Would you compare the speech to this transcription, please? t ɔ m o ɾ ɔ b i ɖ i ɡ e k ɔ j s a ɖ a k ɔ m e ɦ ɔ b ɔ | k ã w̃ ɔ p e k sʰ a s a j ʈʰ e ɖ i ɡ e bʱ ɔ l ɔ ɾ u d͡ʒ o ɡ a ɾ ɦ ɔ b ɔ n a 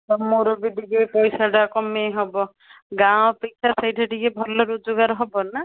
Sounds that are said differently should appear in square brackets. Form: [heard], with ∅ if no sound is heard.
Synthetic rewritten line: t ɔ m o ɾ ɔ b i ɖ i ɡ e [p] ɔ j s a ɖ a k ɔ m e ɦ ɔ b ɔ | [ɡ] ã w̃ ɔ p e k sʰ a s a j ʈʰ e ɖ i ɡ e bʱ ɔ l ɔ ɾ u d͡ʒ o ɡ a ɾ ɦ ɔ b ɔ n a